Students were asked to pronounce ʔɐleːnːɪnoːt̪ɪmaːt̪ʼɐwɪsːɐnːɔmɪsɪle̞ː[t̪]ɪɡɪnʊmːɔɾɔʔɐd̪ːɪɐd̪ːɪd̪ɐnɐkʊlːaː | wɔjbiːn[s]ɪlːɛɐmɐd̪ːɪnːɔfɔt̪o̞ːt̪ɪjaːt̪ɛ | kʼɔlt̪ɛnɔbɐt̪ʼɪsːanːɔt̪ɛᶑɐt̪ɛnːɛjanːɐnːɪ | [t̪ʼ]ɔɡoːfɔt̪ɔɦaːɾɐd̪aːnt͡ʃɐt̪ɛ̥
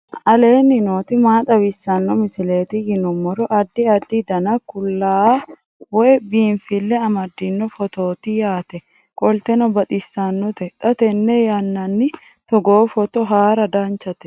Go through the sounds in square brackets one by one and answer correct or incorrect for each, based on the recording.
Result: correct, incorrect: f, incorrect: t̪

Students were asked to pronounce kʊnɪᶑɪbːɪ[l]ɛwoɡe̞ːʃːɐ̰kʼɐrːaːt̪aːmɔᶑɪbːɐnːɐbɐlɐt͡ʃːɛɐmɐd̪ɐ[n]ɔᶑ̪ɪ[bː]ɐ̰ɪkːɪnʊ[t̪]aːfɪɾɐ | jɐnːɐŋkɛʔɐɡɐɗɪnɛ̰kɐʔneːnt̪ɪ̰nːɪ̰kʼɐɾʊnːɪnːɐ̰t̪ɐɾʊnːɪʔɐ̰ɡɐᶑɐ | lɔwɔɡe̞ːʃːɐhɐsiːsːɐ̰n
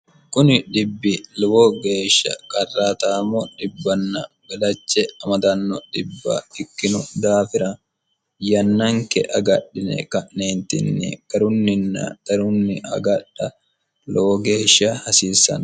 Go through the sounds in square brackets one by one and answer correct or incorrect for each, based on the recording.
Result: correct, incorrect: nː, correct, incorrect: d̪

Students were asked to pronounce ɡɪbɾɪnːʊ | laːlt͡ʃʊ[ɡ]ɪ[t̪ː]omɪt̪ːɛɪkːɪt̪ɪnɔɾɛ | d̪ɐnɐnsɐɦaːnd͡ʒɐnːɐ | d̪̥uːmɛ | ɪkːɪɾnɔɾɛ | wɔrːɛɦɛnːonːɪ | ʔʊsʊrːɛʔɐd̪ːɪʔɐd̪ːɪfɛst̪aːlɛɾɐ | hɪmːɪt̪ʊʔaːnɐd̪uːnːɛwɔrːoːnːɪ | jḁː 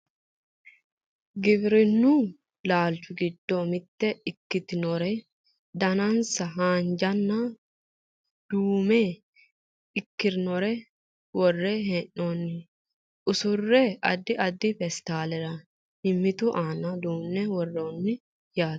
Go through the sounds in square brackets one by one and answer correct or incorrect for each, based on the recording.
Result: correct, incorrect: d̪ː

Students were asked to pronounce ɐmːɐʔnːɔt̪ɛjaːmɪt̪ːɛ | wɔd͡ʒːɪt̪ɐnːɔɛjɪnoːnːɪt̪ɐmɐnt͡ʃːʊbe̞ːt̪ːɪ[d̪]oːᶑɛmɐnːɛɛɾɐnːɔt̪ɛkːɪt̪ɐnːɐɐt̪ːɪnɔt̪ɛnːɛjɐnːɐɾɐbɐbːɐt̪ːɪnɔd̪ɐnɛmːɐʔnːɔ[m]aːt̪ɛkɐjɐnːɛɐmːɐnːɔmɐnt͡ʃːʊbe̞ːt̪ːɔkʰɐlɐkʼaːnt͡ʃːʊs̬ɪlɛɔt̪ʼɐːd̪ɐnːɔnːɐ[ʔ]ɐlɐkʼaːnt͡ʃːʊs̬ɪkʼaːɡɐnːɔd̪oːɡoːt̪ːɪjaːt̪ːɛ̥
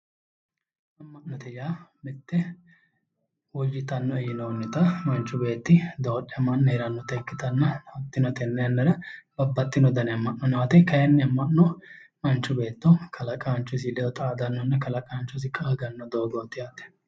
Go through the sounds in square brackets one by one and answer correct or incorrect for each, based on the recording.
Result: correct, incorrect: n, incorrect: k

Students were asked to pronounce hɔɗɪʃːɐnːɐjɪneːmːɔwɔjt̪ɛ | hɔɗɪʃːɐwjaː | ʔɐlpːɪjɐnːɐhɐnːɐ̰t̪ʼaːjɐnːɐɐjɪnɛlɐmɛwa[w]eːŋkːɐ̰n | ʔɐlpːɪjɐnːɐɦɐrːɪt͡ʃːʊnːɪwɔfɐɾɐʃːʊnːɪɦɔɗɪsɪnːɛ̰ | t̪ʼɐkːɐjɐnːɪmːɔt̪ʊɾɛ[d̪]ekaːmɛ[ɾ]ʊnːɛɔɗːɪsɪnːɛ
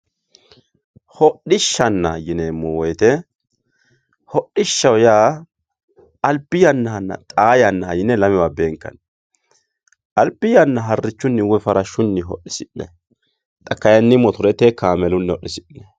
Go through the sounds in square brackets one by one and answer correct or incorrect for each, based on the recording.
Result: incorrect: b, incorrect: t̪, incorrect: l

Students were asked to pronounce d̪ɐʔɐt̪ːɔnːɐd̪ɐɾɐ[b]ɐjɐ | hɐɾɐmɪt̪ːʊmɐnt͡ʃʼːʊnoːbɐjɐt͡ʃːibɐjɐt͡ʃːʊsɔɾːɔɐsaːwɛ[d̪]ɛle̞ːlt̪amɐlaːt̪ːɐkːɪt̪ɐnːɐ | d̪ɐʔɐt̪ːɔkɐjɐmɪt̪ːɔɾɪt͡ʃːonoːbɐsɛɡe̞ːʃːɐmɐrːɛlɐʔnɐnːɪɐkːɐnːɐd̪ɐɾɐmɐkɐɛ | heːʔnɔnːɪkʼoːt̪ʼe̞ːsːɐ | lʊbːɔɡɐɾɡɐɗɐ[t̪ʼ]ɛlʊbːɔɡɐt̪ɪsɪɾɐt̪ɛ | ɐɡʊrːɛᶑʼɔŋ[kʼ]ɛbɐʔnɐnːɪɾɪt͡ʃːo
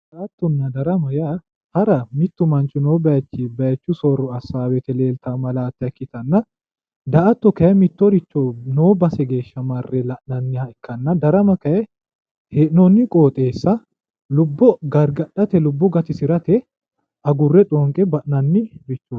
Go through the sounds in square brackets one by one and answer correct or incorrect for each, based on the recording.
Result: incorrect: m, incorrect: t̪, incorrect: t̪, correct

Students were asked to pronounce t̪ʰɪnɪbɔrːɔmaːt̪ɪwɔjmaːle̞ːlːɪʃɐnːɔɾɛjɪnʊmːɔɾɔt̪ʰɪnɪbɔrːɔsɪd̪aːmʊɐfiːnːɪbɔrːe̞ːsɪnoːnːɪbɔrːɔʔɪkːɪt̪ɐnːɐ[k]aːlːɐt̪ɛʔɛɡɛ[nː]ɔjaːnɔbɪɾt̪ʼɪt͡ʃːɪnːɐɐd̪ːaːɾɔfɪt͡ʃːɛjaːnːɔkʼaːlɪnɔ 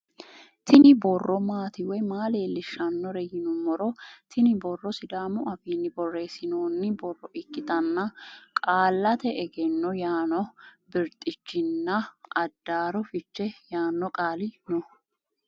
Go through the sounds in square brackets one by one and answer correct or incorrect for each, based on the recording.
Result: incorrect: kʼ, correct

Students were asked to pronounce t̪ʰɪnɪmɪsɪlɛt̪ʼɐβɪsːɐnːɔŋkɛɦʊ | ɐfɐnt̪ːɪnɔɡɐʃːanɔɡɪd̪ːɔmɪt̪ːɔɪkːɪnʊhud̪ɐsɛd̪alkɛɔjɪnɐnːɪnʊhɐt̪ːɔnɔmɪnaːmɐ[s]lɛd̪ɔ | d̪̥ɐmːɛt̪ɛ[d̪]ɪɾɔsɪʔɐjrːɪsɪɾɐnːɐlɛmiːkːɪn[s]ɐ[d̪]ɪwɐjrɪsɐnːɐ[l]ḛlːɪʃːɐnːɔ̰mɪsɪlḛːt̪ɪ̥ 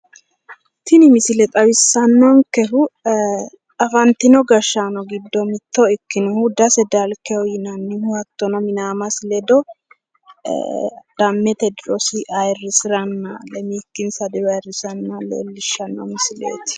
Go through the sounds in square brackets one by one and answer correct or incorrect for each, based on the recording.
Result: correct, correct, correct, correct, correct

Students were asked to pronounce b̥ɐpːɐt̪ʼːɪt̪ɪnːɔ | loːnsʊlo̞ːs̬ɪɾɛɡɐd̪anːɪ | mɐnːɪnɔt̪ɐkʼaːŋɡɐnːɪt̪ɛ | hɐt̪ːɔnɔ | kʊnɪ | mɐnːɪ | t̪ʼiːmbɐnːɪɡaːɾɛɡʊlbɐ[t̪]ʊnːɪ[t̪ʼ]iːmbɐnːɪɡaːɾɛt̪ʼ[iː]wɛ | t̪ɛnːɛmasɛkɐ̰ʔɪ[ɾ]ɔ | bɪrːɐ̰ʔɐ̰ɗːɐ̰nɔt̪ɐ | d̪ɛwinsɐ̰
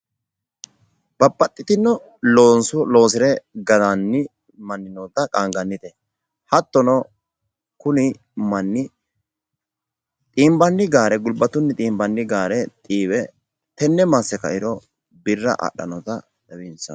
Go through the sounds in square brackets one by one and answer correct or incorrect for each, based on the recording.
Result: correct, correct, correct, correct

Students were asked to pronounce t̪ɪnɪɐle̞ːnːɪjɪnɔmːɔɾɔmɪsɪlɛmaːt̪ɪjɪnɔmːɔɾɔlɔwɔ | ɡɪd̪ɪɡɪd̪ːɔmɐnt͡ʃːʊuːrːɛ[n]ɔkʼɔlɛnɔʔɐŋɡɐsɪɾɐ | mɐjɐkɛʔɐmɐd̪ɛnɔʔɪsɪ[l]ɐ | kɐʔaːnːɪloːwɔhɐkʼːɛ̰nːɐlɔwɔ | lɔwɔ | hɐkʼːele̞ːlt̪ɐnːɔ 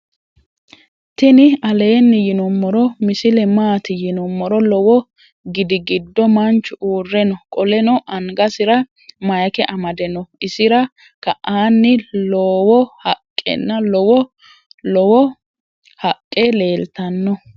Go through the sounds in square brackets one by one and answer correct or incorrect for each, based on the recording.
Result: correct, incorrect: ɾ

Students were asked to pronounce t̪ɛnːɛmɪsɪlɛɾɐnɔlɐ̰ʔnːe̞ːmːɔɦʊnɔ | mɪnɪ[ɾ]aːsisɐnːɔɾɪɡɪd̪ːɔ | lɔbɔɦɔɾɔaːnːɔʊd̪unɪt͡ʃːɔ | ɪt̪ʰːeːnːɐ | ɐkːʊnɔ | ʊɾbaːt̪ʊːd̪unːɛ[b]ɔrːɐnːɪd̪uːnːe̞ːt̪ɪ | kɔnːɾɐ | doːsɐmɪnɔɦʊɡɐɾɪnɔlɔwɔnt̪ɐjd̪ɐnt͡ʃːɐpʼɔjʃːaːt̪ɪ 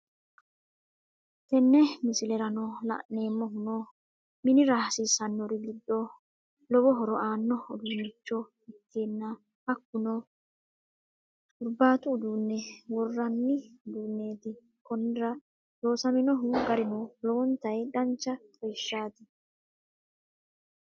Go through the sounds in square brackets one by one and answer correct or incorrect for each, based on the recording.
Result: correct, incorrect: w

